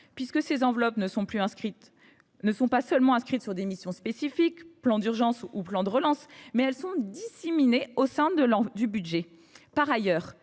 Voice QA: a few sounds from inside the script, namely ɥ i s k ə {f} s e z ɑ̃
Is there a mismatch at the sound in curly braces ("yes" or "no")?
yes